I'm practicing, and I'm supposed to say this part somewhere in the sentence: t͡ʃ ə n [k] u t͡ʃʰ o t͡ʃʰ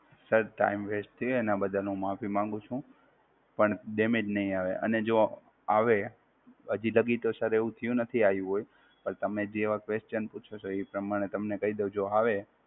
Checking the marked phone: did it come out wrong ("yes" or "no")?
yes